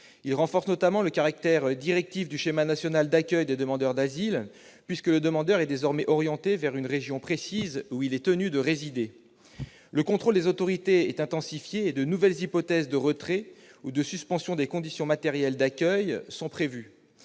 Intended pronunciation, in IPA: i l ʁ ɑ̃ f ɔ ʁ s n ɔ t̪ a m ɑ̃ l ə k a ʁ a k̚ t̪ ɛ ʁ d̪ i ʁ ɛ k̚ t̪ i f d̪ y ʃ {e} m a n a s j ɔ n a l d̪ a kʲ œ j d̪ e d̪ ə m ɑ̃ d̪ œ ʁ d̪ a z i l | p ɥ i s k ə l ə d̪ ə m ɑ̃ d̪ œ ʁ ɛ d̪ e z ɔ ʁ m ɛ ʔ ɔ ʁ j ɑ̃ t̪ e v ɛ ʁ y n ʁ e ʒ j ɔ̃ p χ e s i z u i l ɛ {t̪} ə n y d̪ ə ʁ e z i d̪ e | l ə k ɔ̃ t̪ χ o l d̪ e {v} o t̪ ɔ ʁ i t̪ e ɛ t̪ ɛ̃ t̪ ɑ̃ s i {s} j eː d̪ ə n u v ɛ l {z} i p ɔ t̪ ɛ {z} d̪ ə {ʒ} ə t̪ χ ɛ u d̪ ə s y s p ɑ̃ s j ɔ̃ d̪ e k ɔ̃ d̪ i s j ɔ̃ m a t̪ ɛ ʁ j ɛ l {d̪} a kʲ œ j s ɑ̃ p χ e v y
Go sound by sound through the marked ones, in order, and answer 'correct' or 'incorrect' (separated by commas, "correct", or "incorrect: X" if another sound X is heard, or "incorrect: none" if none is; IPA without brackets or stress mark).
correct, correct, incorrect: z, incorrect: f, correct, correct, incorrect: ʁ, correct